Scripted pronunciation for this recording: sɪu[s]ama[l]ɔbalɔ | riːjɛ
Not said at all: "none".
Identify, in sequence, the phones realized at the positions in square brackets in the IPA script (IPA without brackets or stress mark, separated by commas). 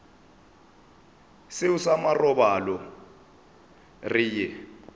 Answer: s, r